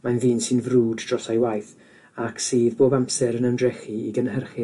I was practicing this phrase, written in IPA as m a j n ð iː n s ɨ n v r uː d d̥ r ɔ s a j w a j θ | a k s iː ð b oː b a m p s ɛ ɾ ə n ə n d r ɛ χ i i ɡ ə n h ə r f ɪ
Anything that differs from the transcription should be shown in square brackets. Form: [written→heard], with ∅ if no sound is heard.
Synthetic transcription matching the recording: m a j n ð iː n s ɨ n v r uː d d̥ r ɔ s a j w a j θ | a k s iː ð b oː b a m p s ɛ ɾ ə n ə n d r ɛ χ i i ɡ ə n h ə r [f→χ] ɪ